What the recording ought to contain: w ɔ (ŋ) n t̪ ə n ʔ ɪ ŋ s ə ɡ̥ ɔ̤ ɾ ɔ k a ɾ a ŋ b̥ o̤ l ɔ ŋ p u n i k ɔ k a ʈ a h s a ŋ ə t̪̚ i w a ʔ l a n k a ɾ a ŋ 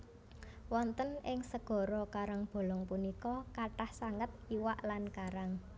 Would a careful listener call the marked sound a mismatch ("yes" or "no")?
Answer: yes